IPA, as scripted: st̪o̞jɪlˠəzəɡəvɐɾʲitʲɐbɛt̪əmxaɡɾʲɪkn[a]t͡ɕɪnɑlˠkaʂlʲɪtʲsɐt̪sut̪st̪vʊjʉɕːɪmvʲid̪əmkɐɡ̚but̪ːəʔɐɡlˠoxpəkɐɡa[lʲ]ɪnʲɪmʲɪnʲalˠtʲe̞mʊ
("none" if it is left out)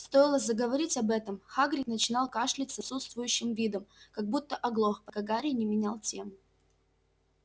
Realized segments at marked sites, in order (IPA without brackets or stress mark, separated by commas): ə, ɾʲ